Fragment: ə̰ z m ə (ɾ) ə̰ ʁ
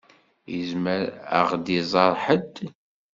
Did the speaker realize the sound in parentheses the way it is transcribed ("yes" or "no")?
yes